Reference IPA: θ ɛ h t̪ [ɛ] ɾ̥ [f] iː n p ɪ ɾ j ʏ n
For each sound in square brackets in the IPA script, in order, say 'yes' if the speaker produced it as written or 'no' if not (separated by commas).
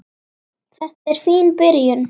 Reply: yes, yes